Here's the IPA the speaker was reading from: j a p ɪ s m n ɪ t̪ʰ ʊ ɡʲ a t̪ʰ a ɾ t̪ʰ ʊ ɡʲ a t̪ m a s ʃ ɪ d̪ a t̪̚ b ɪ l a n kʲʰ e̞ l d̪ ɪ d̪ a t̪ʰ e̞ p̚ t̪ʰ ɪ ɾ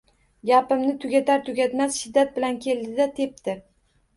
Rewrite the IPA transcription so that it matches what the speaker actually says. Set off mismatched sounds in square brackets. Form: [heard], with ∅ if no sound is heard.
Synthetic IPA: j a p ɪ [∅] m n ɪ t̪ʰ ʊ ɡʲ a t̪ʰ a ɾ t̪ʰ ʊ ɡʲ a t̪ m a s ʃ ɪ [d̪ː] a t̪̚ b ɪ l a n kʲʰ e̞ l d̪ ɪ d̪ a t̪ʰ e̞ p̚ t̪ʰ ɪ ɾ